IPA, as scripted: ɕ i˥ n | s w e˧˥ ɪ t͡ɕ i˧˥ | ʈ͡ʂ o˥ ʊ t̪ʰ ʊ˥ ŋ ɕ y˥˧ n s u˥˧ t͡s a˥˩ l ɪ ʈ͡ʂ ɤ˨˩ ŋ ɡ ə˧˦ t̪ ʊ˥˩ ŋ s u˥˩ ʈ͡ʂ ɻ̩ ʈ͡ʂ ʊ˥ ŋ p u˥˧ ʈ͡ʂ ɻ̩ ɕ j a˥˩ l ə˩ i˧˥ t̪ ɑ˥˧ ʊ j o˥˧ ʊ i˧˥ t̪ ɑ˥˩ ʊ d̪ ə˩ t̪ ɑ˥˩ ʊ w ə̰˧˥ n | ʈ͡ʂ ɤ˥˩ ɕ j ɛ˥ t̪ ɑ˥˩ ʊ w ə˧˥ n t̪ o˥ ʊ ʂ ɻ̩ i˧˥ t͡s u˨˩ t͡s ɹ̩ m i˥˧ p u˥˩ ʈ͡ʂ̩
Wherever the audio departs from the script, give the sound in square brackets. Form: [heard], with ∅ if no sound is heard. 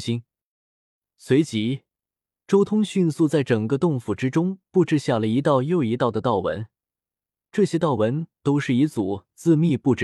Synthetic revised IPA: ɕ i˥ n | s w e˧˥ ɪ t͡ɕ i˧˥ | ʈ͡ʂ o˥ ʊ t̪ʰ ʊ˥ ŋ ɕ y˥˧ n s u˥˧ t͡s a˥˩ [∅] ɪ ʈ͡ʂ ɤ˨˩ ŋ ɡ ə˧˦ t̪ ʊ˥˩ ŋ [f] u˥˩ ʈ͡ʂ ɻ̩ ʈ͡ʂ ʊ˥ ŋ p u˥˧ ʈ͡ʂ ɻ̩ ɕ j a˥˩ l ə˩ i˧˥ t̪ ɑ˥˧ ʊ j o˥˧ ʊ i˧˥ t̪ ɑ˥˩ ʊ d̪ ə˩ t̪ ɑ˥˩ ʊ w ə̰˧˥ n | ʈ͡ʂ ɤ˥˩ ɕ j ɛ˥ t̪ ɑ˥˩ ʊ w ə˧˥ n t̪ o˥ ʊ ʂ ɻ̩ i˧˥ t͡s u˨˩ t͡s ɹ̩ m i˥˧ p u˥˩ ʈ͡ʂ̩